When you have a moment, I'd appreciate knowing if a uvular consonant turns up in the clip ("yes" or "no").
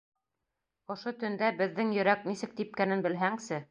no